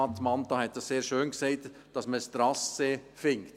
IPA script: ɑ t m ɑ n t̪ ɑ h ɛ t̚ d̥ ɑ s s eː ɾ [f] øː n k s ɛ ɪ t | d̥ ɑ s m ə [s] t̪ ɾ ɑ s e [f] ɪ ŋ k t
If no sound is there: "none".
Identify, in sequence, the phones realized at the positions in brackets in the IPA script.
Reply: ʃ, s, f

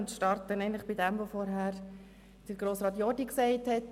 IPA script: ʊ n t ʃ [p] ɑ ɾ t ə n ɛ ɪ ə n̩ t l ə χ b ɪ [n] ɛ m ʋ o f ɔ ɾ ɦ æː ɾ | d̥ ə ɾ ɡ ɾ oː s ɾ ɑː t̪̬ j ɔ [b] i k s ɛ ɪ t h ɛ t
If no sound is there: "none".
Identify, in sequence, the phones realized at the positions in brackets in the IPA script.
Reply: t, d, d

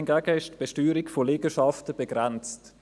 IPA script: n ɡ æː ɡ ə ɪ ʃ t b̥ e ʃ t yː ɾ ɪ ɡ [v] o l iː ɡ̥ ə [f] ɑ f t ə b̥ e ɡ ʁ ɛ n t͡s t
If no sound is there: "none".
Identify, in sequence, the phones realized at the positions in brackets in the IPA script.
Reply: f, ʃ

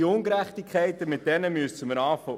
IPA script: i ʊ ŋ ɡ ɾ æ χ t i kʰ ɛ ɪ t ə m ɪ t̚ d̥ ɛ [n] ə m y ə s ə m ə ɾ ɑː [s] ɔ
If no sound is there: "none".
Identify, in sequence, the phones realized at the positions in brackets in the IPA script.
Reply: n, f

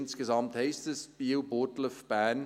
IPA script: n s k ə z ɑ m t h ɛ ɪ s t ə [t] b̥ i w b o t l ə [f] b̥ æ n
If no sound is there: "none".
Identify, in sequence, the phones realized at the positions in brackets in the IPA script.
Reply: s, f

